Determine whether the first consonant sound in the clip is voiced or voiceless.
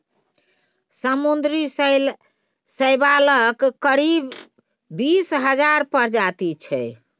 voiceless